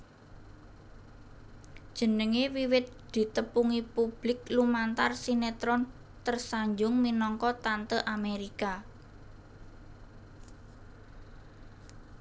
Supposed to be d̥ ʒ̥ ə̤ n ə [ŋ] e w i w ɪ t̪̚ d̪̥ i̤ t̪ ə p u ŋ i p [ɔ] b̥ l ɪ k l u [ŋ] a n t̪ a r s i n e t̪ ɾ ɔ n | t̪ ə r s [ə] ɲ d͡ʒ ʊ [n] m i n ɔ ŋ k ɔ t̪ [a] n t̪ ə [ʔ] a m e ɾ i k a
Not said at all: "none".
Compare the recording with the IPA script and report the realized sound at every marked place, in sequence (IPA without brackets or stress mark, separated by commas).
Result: ŋ, u, m, a, ŋ, a, ʔ